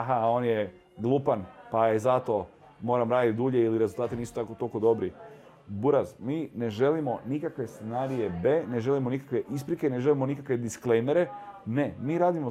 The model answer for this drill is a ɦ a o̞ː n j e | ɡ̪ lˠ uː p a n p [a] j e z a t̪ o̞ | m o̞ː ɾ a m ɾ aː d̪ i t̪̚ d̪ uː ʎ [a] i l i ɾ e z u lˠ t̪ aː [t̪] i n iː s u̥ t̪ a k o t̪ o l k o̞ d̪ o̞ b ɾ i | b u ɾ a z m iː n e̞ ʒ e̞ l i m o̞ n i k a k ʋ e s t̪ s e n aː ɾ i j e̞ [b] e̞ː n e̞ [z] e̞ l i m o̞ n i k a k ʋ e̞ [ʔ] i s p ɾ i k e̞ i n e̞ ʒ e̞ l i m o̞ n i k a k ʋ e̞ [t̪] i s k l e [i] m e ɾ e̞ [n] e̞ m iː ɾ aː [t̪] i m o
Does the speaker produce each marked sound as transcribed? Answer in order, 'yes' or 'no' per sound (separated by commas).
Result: yes, no, yes, yes, no, yes, no, no, yes, no